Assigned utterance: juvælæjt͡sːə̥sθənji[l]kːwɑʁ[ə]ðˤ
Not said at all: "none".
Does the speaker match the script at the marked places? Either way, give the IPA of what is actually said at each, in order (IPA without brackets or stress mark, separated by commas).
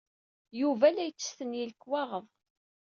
l, ə